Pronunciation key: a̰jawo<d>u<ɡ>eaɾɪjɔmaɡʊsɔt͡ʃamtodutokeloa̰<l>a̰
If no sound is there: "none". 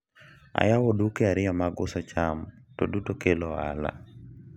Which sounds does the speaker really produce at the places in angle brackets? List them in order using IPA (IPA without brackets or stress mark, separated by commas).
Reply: d, k, l